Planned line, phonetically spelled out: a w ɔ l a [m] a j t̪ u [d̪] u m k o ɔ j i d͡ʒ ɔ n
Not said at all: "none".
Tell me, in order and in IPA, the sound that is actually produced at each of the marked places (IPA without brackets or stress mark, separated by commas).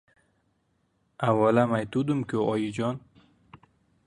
m, d̪